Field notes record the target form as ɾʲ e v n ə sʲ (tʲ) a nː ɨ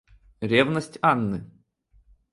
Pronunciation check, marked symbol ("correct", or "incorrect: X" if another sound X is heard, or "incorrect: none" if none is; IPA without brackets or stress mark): correct